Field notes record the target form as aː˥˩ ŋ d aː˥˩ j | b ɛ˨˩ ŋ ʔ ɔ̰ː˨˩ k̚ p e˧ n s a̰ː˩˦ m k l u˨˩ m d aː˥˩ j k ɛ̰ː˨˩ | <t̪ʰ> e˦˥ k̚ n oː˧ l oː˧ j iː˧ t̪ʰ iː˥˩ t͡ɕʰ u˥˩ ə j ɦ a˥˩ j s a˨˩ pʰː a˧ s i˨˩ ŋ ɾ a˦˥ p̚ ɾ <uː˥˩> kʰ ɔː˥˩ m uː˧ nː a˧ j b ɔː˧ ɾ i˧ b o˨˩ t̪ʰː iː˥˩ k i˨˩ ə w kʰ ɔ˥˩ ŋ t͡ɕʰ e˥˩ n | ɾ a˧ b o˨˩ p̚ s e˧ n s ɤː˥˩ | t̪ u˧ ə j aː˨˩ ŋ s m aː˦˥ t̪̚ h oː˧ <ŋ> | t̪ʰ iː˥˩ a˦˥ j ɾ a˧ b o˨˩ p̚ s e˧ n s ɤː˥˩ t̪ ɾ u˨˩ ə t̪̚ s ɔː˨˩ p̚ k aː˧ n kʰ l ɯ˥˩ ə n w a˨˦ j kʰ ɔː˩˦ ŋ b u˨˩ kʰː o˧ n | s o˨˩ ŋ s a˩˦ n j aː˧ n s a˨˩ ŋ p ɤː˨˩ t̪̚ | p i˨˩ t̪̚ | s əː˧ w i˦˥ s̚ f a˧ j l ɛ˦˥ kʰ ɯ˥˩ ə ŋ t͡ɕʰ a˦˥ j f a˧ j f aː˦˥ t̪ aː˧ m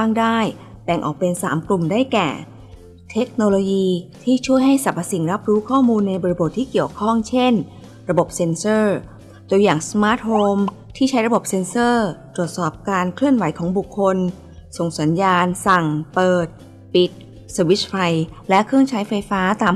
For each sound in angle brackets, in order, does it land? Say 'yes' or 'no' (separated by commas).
yes, no, no